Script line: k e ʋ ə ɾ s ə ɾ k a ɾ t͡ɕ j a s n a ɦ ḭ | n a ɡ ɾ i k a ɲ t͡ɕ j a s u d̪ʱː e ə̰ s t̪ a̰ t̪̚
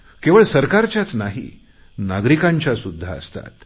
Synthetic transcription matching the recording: k e ʋ ə ɭ s ə ɾ k a ɾ t͡ɕ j a t͡s n a ɦ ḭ | n a ɡ ɾ i k a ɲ t͡ɕ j a s u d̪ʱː a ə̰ s t̪ a̰ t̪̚

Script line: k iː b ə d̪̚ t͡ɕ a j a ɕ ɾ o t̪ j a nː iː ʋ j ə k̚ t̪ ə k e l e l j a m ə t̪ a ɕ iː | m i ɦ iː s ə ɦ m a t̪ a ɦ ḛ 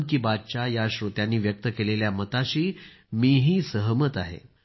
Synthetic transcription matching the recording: k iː b a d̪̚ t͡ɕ a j a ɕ ɾ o t̪ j a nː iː ʋ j ə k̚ t̪ ə k e l e l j a m ə t̪ a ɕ iː | m i ɦ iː s ə ɦ m ə t̪ a ɦ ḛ

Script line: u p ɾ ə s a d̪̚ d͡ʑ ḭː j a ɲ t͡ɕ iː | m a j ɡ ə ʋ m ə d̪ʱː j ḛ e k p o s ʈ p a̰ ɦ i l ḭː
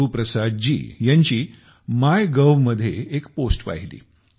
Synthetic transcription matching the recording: u p ɾ ə s a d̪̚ d͡ʑ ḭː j a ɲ t͡ɕ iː | m a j ɡ ə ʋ m ə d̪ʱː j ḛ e k p o s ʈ p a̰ ɦ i l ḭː

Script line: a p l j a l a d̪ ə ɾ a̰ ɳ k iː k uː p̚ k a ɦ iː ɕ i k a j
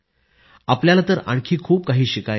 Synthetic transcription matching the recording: a p l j a l a t̪ ə ɾ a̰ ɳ kʰ iː kʰ uː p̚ k a ɦ iː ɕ i k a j

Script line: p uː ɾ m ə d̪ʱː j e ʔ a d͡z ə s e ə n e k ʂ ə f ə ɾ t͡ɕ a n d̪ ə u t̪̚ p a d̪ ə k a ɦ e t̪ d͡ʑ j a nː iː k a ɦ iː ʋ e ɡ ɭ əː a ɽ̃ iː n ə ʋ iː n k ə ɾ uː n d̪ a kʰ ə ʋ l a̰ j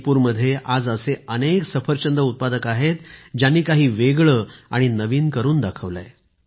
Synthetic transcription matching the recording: p uː ɾ m ə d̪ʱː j e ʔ a d͡z ə s e ə n e k s ə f ə ɾ t͡ɕ ə n d̪ ə u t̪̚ p a d̪ ə k a ɦ e t̪ d͡ʑ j a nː iː k a ɦ iː ʋ e ɡ ɭ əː a ɽ̃ i n ə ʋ iː n k ə ɾ uː n d̪ a kʰ ə ʋ l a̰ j

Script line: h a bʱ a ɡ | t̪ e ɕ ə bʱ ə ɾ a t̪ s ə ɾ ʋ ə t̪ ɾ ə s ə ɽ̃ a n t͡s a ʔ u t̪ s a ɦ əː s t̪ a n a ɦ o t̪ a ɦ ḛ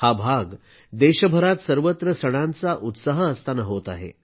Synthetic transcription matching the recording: h a bʱ a ɡ | d̪ e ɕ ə bʱ ə ɾ a t̪ s ə ɾ ʋ ə t̪ ɾ ə s ə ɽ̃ a n t͡s a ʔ u t̪ s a ɦ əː s t̪ a n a ɦ o t̪ a ɦ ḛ

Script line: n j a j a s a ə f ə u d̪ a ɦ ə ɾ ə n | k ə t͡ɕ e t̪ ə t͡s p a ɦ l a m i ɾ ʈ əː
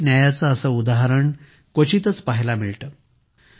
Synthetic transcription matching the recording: n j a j a t͡s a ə s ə u d̪ a ɦ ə ɾ ə ɳ | k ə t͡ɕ i t̪ ə t͡s p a ɦ l a m i ɭ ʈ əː

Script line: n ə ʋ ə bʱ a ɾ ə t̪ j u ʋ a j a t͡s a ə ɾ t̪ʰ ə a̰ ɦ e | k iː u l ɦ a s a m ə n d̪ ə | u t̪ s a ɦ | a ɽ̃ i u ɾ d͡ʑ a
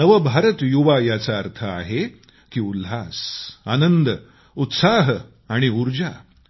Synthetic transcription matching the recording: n ə ʋ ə bʱ a ɾ ə t̪ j u ʋ a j a t͡s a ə ɾ t̪ʰ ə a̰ ɦ e | k iː u l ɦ a s a n ə n d̪ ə | u t̪ s a ɦ | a ɽ̃ i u ɾ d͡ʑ a

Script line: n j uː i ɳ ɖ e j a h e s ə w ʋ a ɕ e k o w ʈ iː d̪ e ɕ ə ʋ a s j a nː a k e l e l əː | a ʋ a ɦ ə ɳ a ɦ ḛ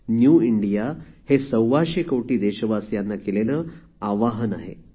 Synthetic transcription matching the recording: n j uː i ɳ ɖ i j a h e s ə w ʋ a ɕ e k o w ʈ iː d̪ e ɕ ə ʋ a s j a nː a k e l e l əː | a ʋ a ɦ ə n a ɦ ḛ

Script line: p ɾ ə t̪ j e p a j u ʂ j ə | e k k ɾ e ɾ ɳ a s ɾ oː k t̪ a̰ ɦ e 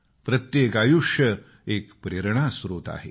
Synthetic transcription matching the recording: p ɾ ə t̪ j e k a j u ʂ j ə | e k p ɾ e ɾ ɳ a s ɾ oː t̪ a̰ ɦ e

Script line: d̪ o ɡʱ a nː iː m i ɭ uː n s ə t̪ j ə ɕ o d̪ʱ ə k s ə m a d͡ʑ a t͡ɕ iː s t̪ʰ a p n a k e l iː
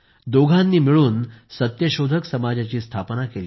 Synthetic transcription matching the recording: d̪ o ɡʱ a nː iː m i ɭ uː n s ə t̪ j ə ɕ o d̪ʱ ə k s ə m a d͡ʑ a t͡ɕ iː s t̪ʰ a p n a k e l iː

